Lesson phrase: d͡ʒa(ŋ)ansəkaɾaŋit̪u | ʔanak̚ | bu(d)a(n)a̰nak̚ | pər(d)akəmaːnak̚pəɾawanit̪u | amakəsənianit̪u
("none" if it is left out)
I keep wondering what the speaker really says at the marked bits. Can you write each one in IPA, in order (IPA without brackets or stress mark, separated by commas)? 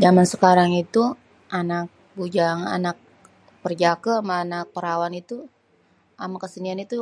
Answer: m, d͡ʒ, ŋ, d͡ʒ